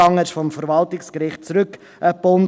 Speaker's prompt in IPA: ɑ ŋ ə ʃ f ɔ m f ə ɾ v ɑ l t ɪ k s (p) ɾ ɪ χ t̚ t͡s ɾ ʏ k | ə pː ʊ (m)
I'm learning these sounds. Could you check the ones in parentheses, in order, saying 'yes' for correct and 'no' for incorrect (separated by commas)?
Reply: no, no